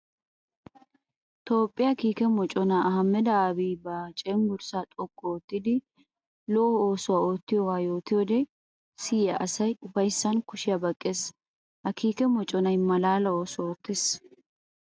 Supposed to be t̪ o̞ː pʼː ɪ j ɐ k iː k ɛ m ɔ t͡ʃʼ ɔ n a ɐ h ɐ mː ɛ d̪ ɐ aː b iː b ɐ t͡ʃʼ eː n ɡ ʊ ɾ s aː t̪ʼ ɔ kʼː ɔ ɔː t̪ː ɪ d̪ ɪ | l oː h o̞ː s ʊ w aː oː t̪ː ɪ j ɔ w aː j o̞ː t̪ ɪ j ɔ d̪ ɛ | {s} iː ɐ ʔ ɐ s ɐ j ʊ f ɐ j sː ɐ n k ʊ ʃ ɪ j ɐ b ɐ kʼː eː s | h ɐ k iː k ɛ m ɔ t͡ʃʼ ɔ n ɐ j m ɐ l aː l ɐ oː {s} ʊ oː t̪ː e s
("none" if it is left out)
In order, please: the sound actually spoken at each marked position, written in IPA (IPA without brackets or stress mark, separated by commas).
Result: s, s